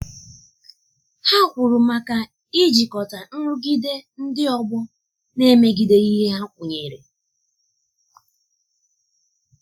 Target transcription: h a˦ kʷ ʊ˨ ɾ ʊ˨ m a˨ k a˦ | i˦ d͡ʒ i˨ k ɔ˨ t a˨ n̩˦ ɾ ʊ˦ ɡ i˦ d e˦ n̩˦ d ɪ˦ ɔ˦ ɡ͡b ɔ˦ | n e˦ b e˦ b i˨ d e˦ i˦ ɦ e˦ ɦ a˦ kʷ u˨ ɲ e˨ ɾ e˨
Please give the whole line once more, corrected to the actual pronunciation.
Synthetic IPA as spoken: h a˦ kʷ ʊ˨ ɾ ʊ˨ m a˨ k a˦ | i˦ d͡ʒ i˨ k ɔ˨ t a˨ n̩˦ ɾ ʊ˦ ɡ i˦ d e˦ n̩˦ d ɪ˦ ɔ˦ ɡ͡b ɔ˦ | n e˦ m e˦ ɡ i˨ d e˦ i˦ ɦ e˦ ɦ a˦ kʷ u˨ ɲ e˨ ɾ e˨